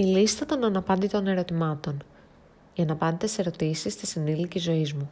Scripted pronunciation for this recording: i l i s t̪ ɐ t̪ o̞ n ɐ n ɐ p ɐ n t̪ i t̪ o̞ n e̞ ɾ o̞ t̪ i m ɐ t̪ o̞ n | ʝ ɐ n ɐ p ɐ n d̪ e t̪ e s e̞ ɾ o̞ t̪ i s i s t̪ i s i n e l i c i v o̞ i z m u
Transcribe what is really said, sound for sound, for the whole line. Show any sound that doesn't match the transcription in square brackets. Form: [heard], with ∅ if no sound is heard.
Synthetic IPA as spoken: i l i s t̪ ɐ t̪ o̞ n ɐ n ɐ p ɐ n [d̪] i t̪ o̞ n e̞ ɾ o̞ t̪ i m ɐ t̪ o̞ n | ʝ ɐ n ɐ p ɐ n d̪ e t̪ e s e̞ ɾ o̞ t̪ i s i s t̪ i s i n [i] l i c i [z] o̞ i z m u